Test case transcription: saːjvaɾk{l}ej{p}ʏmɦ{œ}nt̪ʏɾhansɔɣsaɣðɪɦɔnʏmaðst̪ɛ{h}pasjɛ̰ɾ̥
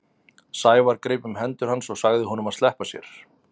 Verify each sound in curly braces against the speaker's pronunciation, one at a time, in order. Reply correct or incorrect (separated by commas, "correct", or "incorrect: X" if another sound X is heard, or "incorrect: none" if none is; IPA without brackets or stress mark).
incorrect: ɾ, correct, incorrect: ɛ, correct